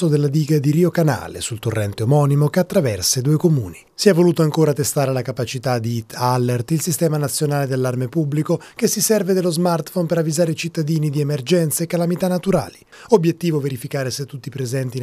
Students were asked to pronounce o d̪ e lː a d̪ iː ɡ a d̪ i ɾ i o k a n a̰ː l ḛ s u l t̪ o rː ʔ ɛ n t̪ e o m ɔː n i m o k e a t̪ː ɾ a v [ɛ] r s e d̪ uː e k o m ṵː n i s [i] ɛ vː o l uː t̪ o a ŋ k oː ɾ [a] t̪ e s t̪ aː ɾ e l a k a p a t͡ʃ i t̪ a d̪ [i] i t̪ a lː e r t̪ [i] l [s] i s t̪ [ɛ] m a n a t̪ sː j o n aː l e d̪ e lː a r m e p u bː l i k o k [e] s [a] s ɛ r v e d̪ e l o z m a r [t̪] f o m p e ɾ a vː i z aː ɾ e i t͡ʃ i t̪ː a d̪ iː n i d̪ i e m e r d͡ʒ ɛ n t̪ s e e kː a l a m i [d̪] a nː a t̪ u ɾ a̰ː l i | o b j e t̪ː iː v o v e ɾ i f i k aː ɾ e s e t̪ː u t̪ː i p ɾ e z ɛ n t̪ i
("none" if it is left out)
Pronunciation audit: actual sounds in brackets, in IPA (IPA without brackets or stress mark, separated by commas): ɛ, i, a, i, i, s, ɛː, e, i, t̪, t̪